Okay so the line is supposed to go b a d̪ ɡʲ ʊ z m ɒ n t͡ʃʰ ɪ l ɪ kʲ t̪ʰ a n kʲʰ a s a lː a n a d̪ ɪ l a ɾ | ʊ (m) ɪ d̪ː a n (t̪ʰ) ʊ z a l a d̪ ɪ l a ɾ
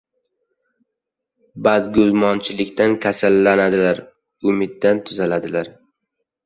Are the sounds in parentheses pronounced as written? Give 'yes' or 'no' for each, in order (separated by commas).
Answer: yes, yes